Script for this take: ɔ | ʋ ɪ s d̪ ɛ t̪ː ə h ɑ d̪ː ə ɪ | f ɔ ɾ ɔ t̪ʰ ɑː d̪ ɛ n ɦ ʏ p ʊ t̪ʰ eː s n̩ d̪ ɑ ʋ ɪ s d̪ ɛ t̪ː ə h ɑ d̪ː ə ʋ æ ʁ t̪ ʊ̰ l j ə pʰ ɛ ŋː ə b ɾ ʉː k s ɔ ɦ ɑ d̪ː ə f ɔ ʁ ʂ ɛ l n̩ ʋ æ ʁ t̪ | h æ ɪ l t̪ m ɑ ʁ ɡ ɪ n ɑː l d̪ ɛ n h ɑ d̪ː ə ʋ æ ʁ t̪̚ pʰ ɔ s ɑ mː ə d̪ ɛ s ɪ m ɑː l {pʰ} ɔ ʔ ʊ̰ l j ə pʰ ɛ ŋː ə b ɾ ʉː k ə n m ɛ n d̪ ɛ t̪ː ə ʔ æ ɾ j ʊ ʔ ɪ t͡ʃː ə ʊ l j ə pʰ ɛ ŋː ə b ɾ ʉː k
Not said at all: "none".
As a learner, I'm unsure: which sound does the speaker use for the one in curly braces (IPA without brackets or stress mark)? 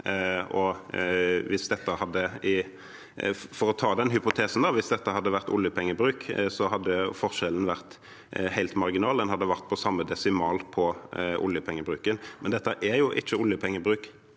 pʰ